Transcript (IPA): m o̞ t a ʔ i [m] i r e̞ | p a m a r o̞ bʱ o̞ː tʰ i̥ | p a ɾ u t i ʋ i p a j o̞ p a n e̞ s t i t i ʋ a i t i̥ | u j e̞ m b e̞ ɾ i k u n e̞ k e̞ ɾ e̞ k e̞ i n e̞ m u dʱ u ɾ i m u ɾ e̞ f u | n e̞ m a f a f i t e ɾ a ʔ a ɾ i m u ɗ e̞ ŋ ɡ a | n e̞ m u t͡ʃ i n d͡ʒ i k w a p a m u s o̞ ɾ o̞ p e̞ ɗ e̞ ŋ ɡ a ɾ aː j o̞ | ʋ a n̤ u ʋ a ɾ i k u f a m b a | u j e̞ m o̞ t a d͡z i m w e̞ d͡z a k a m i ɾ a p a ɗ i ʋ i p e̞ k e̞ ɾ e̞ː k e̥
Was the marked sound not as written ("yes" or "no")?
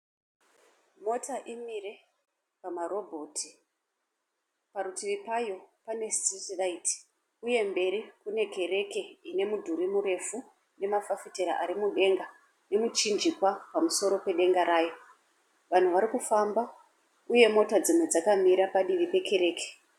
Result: no